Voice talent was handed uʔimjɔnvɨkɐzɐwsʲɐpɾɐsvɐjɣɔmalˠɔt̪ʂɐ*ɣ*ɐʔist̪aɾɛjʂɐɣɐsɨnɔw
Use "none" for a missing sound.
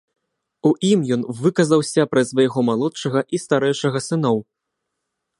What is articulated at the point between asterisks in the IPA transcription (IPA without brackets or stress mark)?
ɣ